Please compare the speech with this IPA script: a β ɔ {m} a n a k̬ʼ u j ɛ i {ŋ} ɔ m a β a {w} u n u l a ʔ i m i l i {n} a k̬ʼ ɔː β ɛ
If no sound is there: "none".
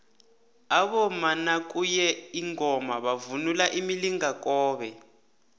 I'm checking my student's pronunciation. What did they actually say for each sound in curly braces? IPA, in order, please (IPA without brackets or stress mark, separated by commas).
m, ŋ, v, ŋ